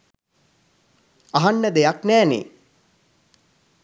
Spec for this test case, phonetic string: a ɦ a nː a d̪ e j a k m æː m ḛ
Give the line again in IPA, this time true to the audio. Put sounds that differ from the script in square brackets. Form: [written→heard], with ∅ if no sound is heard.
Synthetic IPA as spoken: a ɦ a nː [a→ə] d̪ e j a k [m→n] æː [m→n] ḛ